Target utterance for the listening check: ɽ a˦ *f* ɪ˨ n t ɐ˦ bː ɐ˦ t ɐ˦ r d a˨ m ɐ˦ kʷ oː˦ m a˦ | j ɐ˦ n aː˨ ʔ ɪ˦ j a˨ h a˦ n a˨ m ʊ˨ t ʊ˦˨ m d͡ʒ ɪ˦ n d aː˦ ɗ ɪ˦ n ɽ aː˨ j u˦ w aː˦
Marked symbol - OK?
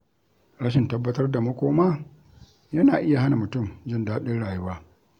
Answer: no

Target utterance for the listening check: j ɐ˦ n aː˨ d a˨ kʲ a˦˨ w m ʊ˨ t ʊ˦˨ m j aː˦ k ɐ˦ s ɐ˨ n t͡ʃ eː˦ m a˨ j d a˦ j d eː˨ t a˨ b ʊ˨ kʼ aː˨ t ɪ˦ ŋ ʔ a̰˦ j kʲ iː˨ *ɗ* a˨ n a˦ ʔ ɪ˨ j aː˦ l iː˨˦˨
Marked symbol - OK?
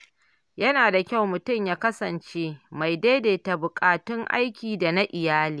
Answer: no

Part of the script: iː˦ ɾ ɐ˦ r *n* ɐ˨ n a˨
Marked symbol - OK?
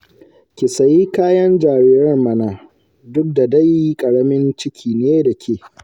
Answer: no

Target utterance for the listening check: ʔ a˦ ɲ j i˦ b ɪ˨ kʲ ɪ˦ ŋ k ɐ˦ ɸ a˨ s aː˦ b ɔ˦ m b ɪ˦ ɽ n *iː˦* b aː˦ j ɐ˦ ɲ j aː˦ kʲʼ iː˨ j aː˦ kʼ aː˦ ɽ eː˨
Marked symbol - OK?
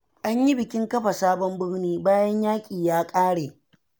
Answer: yes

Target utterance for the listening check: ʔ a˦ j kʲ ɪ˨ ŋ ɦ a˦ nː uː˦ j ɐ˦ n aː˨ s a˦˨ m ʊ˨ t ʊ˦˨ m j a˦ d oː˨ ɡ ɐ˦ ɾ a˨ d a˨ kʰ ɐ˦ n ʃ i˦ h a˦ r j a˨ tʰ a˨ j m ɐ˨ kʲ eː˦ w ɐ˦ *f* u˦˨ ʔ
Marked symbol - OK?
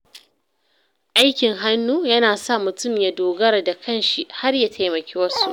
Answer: no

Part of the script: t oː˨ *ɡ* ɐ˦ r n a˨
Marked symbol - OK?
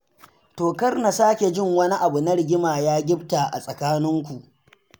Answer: no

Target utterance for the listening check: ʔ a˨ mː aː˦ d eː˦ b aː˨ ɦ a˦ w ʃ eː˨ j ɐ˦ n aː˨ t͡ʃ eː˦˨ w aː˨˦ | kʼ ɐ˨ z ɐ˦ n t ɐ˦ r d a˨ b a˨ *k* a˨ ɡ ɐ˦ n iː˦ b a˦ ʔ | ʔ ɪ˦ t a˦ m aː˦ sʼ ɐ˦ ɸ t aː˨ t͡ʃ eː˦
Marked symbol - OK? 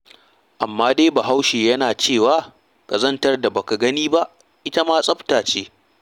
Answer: yes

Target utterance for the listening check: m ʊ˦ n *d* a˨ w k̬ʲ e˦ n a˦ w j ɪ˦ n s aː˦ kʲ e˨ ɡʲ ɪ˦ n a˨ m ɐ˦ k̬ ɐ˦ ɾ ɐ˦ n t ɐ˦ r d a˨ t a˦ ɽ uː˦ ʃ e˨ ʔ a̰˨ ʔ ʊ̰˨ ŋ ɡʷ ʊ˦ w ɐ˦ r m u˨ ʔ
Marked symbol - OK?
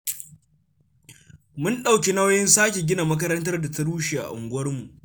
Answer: no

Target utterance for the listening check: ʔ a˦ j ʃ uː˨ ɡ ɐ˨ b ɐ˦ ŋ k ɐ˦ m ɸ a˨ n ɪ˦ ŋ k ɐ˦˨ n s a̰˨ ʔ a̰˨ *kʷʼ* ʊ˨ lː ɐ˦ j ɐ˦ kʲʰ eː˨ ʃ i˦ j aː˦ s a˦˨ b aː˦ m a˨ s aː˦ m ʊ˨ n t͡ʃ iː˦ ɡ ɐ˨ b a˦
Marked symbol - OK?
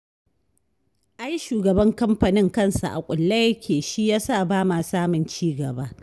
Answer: yes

